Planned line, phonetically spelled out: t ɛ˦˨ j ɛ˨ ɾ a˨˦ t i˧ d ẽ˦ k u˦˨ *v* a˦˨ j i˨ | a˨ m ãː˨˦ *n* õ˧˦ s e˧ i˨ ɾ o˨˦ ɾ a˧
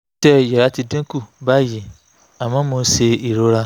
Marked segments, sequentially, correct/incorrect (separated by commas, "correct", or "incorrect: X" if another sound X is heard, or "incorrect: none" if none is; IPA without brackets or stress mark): incorrect: b, incorrect: m